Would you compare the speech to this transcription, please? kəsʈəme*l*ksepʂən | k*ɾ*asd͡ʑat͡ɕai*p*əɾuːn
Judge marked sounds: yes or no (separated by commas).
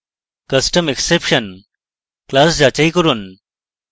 no, no, no